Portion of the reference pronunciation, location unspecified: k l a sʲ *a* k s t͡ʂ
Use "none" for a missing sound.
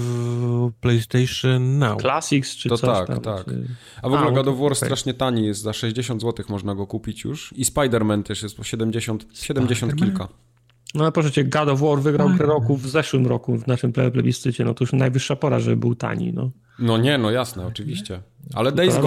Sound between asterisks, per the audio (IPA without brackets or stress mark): i